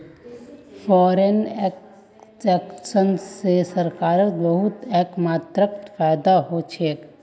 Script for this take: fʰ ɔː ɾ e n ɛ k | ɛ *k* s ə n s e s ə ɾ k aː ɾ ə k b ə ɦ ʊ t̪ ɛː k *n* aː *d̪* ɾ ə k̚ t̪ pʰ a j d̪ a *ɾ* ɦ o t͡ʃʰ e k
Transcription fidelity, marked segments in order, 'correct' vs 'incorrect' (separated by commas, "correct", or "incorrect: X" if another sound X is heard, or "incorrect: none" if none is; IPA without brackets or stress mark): correct, incorrect: m, incorrect: t̪, incorrect: none